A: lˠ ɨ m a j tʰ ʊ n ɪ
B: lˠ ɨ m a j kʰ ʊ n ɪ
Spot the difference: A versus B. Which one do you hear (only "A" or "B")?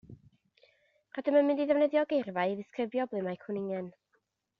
B